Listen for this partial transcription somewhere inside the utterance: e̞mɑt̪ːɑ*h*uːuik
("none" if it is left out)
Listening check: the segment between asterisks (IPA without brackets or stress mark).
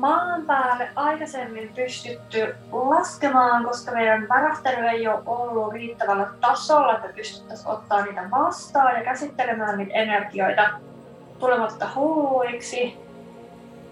h